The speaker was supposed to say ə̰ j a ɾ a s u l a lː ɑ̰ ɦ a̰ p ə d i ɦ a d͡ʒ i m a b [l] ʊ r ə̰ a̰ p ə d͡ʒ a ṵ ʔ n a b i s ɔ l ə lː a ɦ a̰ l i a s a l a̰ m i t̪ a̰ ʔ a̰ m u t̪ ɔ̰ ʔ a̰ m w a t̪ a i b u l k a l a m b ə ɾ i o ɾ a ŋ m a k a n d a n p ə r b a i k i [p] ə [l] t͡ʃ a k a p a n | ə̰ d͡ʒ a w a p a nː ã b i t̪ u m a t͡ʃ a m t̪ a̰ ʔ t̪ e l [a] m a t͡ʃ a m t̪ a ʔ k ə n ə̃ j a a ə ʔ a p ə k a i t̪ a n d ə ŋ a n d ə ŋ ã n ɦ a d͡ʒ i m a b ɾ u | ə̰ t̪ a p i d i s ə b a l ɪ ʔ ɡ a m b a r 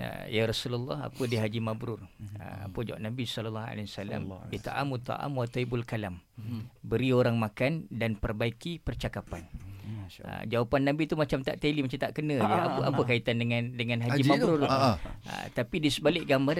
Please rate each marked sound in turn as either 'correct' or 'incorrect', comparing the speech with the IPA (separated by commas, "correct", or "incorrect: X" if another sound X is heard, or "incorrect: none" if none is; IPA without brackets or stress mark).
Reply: incorrect: ɾ, correct, incorrect: r, incorrect: i